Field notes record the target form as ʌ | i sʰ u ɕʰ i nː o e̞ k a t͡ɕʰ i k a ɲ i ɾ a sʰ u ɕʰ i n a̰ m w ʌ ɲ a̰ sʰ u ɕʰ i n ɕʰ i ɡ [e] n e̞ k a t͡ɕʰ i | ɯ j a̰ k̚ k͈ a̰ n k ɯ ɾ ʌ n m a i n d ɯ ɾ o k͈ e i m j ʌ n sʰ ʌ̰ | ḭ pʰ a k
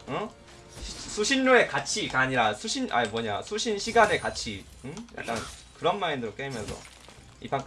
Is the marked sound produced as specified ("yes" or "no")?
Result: no